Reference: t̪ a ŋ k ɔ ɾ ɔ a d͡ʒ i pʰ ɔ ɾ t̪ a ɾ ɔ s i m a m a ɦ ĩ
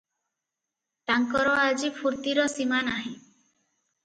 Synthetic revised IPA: t̪ a ŋ k ɔ ɾ ɔ a d͡ʒ i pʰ u ɾ t̪ i ɾ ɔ s i m a n a ɦ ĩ